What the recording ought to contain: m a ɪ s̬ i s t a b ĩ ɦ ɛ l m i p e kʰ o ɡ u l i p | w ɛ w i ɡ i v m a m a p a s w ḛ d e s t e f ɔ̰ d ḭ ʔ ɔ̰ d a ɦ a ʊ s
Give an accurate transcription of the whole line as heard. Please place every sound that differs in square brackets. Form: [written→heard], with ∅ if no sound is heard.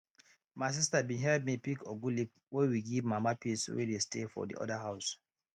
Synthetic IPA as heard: m a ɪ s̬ i s t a b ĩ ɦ ɛ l m i p [e→i] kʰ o ɡ u l i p | w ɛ w i ɡ i v m a m a p [a→i] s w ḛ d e s t e f ɔ̰ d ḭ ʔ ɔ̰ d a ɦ a ʊ s